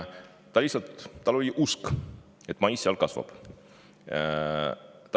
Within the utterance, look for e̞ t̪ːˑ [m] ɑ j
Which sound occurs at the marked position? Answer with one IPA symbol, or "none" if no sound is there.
m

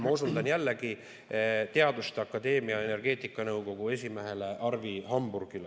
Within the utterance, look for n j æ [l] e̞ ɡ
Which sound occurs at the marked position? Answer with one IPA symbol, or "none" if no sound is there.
lː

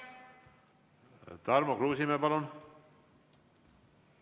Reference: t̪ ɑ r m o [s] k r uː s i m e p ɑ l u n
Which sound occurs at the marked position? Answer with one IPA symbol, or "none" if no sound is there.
none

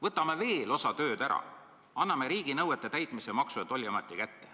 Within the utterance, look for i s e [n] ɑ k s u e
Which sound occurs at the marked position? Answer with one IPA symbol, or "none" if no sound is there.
m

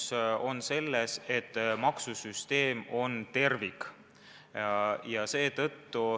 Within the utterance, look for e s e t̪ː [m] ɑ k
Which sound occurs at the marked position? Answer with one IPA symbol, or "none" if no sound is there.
m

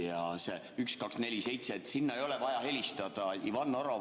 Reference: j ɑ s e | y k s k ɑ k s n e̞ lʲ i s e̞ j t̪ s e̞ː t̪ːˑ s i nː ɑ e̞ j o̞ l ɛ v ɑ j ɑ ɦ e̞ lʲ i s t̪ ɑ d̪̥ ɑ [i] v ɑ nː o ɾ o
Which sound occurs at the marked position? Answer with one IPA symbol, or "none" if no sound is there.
i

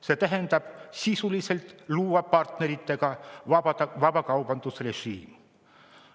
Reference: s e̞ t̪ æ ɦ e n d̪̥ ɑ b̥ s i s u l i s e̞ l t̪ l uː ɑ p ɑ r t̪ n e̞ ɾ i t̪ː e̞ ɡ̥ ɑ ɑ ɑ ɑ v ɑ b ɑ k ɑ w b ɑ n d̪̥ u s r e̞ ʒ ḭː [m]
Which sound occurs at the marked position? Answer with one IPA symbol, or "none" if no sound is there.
m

